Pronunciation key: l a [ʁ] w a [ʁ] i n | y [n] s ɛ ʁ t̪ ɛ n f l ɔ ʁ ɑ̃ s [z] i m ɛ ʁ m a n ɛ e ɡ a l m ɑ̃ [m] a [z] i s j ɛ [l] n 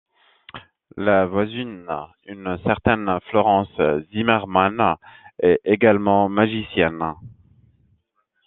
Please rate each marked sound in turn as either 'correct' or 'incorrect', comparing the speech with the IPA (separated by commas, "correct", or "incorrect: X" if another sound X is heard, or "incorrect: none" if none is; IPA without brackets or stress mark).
incorrect: v, incorrect: z, correct, correct, correct, incorrect: ʒ, incorrect: none